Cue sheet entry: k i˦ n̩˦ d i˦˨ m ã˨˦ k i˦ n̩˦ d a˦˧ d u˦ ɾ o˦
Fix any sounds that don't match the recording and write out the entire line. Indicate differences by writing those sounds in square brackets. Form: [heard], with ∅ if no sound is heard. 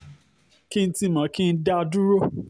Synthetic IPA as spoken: k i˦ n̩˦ [t] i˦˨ m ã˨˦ k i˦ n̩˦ d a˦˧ d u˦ ɾ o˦